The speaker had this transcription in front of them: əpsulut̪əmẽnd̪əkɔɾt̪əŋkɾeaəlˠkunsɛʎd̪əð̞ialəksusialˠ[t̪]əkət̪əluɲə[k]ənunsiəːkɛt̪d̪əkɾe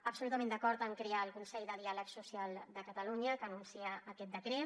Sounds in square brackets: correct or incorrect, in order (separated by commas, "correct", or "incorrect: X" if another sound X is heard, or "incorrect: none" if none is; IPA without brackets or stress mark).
incorrect: d̪, correct